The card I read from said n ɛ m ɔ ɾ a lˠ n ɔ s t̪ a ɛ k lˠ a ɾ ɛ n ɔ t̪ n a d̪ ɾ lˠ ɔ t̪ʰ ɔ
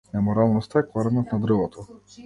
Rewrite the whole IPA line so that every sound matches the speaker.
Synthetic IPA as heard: n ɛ m ɔ ɾ a lˠ n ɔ s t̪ a ɛ k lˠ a ɾ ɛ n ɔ t̪ n a d̪ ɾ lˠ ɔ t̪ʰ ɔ